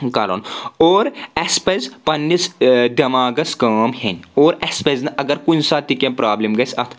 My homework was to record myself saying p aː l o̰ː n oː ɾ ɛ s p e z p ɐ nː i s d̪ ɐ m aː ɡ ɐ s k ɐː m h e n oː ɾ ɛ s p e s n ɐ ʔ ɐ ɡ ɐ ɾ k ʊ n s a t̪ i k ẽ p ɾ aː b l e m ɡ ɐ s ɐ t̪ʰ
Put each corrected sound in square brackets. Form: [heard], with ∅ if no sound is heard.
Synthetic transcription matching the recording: [k] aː l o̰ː n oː ɾ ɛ s p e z p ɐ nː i s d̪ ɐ m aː ɡ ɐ s k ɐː m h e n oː ɾ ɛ s p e [z] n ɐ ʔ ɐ ɡ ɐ ɾ k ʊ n s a t̪ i k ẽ p ɾ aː b l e m ɡ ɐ s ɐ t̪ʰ

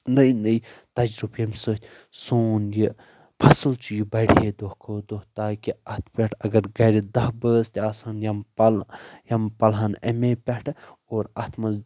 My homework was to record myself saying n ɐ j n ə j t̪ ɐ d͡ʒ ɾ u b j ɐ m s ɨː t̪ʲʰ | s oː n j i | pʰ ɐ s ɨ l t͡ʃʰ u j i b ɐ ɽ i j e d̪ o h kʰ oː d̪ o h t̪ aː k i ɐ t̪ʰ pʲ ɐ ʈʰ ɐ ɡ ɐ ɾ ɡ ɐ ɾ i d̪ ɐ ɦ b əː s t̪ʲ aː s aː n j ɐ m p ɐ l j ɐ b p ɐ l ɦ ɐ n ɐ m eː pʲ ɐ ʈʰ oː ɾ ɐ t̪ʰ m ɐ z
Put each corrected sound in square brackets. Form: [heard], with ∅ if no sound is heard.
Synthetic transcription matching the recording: n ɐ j n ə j t̪ ɐ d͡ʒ ɾ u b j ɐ m s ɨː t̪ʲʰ | s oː n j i | pʰ ɐ s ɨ l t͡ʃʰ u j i b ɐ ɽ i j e d̪ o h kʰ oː d̪ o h t̪ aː k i ɐ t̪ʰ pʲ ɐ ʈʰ ɐ ɡ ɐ ɾ ɡ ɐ ɾ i d̪ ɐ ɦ b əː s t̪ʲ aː s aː n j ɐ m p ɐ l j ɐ [m] p ɐ l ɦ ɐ n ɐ m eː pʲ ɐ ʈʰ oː ɾ ɐ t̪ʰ m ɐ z

